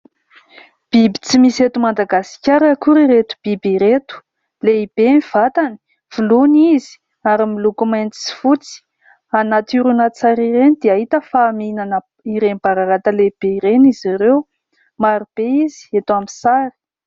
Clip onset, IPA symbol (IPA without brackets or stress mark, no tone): b̥